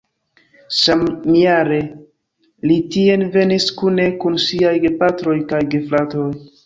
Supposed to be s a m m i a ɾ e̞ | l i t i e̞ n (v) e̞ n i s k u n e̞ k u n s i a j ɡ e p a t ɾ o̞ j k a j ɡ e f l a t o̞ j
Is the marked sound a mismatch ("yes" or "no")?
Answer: no